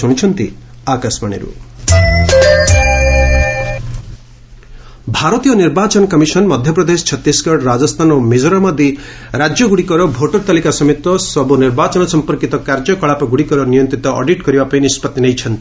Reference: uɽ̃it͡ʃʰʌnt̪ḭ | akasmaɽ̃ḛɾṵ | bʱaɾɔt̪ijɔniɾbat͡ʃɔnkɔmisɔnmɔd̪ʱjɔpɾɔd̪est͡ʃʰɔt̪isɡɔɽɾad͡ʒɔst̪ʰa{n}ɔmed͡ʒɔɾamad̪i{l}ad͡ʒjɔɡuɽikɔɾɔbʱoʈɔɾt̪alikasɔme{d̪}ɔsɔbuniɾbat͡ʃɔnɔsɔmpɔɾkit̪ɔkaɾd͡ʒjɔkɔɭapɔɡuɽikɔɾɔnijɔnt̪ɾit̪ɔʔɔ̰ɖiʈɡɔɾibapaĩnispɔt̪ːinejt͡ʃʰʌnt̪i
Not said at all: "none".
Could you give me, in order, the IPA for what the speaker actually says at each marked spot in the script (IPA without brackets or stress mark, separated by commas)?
n, ɾ, t̪